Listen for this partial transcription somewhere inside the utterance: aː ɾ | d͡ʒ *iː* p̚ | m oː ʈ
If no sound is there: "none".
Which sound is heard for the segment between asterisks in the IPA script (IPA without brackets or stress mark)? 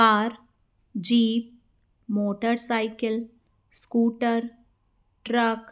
iː